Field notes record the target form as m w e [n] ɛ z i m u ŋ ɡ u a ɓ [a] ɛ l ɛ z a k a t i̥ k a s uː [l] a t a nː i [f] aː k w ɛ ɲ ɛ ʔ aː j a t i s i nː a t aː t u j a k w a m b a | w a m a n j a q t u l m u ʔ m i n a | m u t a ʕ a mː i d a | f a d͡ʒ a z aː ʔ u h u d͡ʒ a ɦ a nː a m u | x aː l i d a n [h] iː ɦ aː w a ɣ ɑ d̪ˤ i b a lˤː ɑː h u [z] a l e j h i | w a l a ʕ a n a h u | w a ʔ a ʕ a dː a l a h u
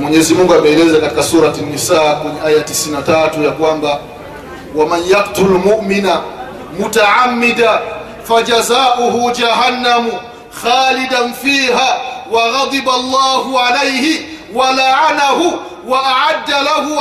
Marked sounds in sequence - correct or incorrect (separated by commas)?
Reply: incorrect, incorrect, incorrect, incorrect, incorrect, incorrect